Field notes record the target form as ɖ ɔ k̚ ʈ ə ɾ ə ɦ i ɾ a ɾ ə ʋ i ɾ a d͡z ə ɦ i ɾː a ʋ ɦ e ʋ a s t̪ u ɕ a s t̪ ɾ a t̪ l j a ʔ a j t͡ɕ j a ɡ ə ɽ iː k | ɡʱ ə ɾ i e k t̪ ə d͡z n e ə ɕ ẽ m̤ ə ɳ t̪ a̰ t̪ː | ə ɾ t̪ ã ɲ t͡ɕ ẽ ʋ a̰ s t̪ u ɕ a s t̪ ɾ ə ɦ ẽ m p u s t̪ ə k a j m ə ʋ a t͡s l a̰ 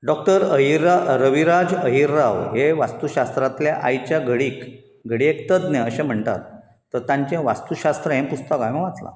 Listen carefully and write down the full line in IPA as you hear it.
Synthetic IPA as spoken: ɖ ɔ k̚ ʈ ə ɾ ə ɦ i ɾ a ɾ ə ʋ i ɾ a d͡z ə ɦ i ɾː a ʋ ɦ e ʋ a s t̪ u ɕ a s t̪ ɾ a t̪ l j a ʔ a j t͡ɕ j a ɡ ə ɽ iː k | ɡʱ ə ɽ i e k t̪ ə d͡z n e ə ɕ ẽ m̤ ə ɳ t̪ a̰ t̪ː | ə ɾ t̪ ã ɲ t͡ɕ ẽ ʋ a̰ s t̪ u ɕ a s t̪ ɾ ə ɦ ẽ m p u s t̪ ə k a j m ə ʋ a t͡s l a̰